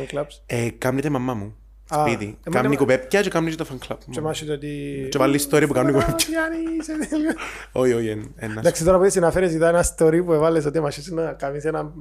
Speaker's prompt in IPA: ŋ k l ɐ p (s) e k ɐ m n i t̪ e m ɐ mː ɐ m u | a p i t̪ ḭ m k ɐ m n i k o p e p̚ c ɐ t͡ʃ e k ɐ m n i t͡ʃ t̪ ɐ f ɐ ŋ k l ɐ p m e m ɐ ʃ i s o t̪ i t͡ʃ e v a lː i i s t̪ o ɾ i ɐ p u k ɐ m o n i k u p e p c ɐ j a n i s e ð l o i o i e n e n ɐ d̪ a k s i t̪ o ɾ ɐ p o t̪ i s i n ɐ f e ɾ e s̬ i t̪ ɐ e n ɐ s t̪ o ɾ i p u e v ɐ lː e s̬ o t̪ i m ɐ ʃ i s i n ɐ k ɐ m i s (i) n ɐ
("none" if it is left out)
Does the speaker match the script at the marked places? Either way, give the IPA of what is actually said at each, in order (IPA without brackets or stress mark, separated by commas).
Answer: s, e